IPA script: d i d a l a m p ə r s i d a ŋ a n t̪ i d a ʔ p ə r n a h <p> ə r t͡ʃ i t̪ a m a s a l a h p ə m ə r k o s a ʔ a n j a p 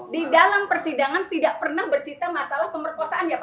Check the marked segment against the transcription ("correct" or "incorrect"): incorrect